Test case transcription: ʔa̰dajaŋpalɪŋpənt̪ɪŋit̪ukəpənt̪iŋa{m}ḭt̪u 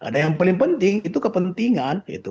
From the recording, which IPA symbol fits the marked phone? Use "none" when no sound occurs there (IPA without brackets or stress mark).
n